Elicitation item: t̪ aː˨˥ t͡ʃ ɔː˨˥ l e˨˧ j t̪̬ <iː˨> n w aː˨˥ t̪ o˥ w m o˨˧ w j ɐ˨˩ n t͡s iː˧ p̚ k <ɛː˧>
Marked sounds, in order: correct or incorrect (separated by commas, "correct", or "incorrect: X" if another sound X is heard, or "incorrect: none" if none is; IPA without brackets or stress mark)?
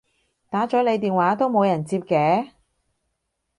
correct, incorrect: ɛː˨˥